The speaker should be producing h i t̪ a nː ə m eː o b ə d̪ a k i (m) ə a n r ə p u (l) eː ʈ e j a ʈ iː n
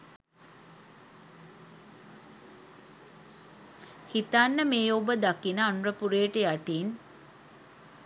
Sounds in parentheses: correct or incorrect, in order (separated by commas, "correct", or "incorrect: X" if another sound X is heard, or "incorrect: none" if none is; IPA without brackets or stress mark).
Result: incorrect: n, incorrect: ɾ